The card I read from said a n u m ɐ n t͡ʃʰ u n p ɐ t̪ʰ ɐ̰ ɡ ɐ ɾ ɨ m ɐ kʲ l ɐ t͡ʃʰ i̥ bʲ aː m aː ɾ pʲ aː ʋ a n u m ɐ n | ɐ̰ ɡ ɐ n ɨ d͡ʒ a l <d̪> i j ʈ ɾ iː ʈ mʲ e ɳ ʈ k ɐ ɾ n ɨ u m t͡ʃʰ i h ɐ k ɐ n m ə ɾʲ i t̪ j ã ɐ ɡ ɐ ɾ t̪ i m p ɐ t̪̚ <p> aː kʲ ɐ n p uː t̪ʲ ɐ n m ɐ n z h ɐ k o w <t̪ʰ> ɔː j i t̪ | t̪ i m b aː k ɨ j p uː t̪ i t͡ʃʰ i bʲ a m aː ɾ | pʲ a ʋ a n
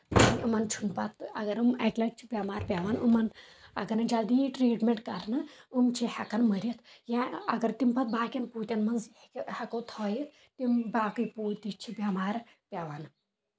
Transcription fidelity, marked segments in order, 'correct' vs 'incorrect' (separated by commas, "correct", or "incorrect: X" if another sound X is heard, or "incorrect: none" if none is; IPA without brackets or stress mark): correct, incorrect: b, correct